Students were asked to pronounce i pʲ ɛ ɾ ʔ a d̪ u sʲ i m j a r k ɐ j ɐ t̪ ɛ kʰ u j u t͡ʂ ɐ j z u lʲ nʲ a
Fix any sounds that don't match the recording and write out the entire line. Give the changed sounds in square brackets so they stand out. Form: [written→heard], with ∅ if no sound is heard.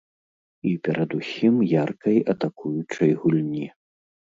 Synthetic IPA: i pʲ ɛ ɾ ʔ [a→ɐ] d̪ u sʲ i m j a r k ɐ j ɐ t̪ [ɛ→a] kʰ u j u t͡ʂ ɐ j [z→ɣ] u lʲ nʲ [a→i]